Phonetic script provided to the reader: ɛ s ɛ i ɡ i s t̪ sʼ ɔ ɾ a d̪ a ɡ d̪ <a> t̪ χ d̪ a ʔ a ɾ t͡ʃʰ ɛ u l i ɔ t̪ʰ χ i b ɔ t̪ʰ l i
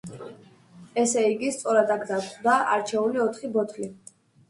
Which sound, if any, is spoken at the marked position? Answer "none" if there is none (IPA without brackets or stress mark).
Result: a